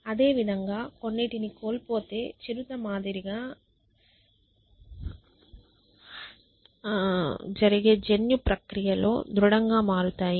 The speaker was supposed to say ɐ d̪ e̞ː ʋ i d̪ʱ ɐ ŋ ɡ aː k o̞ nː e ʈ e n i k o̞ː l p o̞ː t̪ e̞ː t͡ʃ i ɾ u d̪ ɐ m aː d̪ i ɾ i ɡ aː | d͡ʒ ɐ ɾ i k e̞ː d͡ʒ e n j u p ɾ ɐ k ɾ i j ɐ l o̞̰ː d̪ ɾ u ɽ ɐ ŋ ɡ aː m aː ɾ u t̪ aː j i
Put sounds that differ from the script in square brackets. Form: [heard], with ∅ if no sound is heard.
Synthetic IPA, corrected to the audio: ɐ d̪ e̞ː ʋ i d̪ʱ ɐ ŋ ɡ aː k o̞ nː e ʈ [i] n i k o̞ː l p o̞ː t̪ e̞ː t͡ʃ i ɾ u [t̪] ɐ m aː d̪ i ɾ i ɡ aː | d͡ʒ ɐ ɾ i [ɡ] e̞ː d͡ʒ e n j u p ɾ ɐ k ɾ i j ɐ l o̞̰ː d̪ ɾ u ɽ ɐ ŋ ɡ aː m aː ɾ u t̪ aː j i